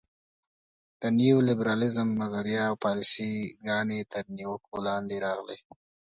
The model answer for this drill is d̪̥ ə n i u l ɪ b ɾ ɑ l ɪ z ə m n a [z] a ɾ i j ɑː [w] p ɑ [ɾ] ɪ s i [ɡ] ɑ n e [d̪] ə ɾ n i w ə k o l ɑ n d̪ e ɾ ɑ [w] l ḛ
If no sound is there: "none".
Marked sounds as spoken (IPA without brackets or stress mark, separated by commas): z, w, l, ɡ, t̪, ɣ